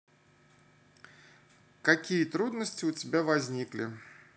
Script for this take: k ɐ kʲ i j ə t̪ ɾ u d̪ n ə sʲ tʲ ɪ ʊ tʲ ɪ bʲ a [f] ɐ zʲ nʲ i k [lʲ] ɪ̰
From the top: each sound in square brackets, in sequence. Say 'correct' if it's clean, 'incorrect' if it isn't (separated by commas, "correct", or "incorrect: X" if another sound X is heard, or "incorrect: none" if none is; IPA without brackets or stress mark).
incorrect: v, correct